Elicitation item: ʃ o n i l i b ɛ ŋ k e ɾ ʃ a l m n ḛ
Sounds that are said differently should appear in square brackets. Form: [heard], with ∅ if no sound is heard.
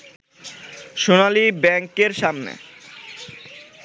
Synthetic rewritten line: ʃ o n [a] l i b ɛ ŋ k e ɾ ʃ a [∅] m n ḛ